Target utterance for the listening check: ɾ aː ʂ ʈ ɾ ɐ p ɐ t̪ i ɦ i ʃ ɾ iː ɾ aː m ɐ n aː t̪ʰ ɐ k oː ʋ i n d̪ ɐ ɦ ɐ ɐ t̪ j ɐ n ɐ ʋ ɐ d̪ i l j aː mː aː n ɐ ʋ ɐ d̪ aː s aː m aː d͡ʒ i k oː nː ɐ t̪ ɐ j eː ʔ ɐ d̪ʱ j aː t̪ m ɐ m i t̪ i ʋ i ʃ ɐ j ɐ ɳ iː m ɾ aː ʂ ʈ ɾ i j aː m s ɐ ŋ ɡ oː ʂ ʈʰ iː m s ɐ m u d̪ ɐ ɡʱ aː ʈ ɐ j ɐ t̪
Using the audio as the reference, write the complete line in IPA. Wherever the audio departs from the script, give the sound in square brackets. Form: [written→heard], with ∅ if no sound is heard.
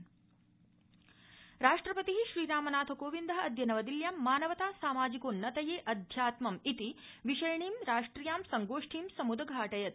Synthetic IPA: ɾ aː ʂ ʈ ɾ ɐ p ɐ t̪ i ɦ i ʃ ɾ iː ɾ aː m ɐ n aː t̪ʰ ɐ k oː ʋ i n d̪ ɐ ɦ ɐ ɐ [t̪→d̪] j ɐ n ɐ ʋ ɐ d̪ i l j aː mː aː n ɐ ʋ ɐ [d̪→t̪] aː s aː m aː d͡ʒ i k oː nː ɐ t̪ ɐ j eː ʔ ɐ d̪ʱ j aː t̪ m ɐ m i t̪ i ʋ i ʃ ɐ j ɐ ɳ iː m ɾ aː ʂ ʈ ɾ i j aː m s ɐ ŋ ɡ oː ʂ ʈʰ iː m s ɐ m u d̪ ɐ ɡʱ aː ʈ ɐ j ɐ t̪